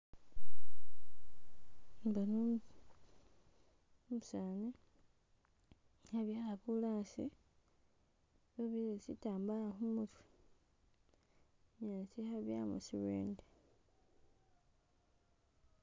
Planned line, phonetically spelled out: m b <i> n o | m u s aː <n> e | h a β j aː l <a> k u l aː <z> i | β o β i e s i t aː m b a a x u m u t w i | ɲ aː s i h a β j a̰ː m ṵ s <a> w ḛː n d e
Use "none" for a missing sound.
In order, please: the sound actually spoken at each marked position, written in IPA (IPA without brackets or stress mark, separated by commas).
a, n, a, s, i